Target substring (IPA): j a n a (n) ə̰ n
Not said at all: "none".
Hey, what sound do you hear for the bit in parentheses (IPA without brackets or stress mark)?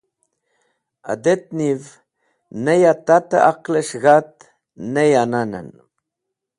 n